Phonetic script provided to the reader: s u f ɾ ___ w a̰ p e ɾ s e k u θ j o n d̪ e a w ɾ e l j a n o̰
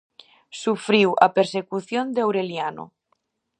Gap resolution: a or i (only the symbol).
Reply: i